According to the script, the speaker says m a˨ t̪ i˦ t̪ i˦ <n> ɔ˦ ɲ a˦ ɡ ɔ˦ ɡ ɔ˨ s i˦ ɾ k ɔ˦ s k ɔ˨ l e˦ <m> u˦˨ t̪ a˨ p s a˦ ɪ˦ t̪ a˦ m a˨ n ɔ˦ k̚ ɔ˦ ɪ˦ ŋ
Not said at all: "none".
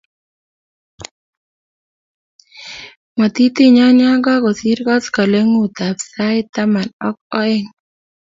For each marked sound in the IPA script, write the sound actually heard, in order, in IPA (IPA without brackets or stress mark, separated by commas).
ɲ, ŋ